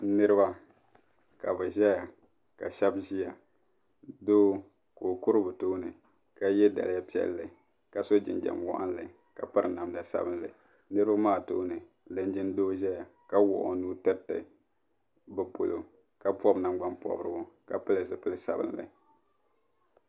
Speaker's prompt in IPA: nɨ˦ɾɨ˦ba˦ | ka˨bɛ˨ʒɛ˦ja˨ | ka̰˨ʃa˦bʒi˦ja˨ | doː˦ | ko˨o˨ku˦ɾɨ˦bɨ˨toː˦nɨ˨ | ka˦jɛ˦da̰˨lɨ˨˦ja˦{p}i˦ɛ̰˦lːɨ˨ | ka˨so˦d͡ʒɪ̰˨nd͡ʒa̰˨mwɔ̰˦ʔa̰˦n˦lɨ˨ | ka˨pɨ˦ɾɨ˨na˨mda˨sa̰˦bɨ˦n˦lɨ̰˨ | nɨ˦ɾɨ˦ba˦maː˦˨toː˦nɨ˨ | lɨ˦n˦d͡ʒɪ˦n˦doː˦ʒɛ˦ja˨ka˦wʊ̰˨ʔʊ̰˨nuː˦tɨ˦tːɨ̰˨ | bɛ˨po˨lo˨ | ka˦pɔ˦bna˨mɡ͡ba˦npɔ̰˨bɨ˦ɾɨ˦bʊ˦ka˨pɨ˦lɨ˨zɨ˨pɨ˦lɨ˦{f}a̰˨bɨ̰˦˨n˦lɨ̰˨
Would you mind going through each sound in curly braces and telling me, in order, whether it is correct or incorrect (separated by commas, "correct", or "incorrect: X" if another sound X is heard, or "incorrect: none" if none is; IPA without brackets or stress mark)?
correct, incorrect: s